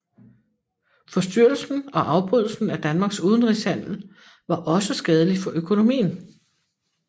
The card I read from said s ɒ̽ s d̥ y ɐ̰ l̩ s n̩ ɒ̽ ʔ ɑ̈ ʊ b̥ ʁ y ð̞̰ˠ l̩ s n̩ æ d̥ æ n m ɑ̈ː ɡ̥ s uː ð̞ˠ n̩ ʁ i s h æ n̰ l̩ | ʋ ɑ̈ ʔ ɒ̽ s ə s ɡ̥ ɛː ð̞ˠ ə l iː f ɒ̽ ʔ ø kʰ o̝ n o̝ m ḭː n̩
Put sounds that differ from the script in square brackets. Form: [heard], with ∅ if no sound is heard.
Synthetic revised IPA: [f] ɒ̽ s d̥ y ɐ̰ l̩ s n̩ ɒ̽ ʔ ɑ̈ ʊ b̥ ʁ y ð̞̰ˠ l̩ s n̩ æ d̥ æ n m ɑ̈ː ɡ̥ s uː ð̞ˠ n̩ ʁ i s h æ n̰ l̩ | ʋ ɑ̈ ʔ ɒ̽ s ə s ɡ̥ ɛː ð̞ˠ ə l [i] f ɒ̽ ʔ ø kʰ o̝ n o̝ m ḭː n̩

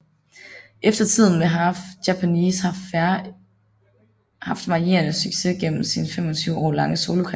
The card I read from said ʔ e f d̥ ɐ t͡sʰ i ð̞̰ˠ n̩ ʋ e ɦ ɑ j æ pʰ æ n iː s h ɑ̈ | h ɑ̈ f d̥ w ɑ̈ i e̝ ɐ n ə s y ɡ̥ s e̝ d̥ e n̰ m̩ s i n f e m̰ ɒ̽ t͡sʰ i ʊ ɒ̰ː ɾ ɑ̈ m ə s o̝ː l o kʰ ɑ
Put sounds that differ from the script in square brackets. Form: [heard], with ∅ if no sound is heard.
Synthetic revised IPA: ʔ e f d̥ ɐ t͡sʰ i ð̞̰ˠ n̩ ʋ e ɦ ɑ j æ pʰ æ n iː s h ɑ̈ | h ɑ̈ f d̥ [ʋ] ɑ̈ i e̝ ɐ n ə s y ɡ̥ s e̝ [ɡ̥] e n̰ m̩ s i n f e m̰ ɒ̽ t͡sʰ [y] ʊ ɒ̰ː [l] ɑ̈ [ŋ] ə s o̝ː l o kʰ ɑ

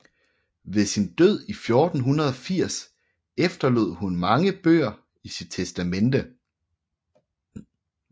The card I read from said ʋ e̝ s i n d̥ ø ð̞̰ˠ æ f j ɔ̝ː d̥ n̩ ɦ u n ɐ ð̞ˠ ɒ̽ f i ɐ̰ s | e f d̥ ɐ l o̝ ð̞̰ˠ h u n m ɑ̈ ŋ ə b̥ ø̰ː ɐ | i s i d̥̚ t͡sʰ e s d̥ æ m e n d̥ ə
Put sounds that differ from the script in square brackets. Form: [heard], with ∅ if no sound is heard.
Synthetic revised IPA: ʋ e̝ s i n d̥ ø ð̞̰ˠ [i] f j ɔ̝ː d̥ n̩ ɦ u n ɐ ð̞ˠ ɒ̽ f i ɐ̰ s | e f d̥ ɐ l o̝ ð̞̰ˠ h u n m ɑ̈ ŋ ə b̥ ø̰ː ɐ | i s i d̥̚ t͡sʰ e s d̥ æ m e n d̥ ə

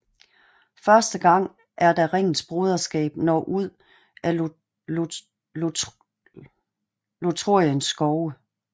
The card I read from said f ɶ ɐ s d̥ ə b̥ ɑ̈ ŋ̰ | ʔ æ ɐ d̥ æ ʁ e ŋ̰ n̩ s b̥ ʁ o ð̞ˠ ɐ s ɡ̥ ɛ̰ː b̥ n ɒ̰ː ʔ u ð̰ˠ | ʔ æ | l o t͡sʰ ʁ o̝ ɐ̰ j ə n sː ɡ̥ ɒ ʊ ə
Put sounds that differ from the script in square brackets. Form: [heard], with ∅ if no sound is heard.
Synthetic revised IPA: f ɶ ɐ s d̥ ə [ɡ̥] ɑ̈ ŋ̰ | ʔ æ ɐ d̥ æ ʁ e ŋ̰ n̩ s b̥ ʁ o ð̞ˠ ɐ s ɡ̥ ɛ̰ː b̥ n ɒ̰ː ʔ u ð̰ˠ | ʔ æ | l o t͡sʰ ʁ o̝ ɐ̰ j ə n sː ɡ̥ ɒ ʊ ə

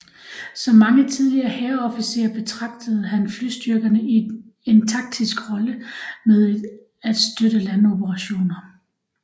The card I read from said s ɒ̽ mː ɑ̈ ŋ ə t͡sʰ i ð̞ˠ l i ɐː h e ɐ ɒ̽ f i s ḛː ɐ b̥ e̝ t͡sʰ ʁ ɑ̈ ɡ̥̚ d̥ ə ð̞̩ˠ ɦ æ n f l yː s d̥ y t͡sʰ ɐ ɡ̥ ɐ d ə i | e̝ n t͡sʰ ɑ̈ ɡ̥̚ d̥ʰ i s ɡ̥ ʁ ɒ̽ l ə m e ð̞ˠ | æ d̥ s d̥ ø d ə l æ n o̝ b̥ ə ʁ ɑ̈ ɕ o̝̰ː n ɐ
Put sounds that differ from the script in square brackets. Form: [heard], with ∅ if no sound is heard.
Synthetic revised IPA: s ɒ̽ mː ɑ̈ ŋ ə t͡sʰ i ð̞ˠ l i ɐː h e ɐ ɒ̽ f i s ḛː ɐ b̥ e̝ t͡sʰ ʁ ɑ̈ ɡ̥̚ d̥ ə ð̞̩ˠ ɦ æ n f l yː s d̥ y [∅] ɐ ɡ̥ ɐ [n] ə i | e̝ n t͡sʰ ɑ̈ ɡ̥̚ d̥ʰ i s ɡ̥ ʁ ɒ̽ l ə m e ð̞ˠ | æ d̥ s d̥ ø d ə l æ n o̝ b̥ ə ʁ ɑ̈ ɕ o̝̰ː n ɐ

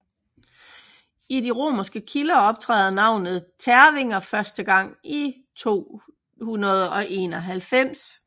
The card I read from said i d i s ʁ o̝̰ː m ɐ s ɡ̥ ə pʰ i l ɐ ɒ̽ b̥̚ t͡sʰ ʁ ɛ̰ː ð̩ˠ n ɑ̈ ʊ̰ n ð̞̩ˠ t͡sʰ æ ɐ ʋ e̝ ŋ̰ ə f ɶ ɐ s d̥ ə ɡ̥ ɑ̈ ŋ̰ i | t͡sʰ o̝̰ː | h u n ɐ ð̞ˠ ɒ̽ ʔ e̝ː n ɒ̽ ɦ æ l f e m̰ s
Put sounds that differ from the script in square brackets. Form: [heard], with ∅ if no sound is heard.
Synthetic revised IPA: i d i [∅] ʁ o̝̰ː m ɐ s ɡ̥ ə [kʰ] i l ɐ ɒ̽ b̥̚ t͡sʰ ʁ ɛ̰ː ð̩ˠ n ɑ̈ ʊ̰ n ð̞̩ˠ t͡sʰ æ ɐ ʋ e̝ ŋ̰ [ɐ] f ɶ ɐ s d̥ ə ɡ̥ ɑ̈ ŋ̰ i | t͡sʰ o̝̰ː | h u n ɐ ð̞ˠ ɒ̽ ʔ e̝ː n ɒ̽ ɦ æ l f e m̰ s

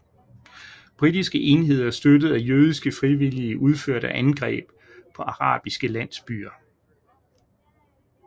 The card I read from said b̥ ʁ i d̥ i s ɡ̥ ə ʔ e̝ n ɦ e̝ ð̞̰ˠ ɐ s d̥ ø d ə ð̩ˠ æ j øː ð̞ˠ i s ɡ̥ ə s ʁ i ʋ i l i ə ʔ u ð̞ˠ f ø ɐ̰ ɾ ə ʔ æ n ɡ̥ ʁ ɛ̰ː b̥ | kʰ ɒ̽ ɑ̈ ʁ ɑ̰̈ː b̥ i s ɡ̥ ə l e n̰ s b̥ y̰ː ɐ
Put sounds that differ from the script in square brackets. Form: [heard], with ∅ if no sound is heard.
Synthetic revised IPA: b̥ ʁ i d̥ i s ɡ̥ ə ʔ e̝ n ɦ e̝ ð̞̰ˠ ɐ s d̥ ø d ə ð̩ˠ æ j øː ð̞ˠ i s ɡ̥ ə [f] ʁ i ʋ i l i ə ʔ u ð̞ˠ f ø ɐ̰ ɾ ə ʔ æ n ɡ̥ ʁ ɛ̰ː b̥ | [pʰ] ɒ̽ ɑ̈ ʁ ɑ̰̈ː b̥ i s ɡ̥ ə l [æ] n̰ s b̥ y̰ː ɐ

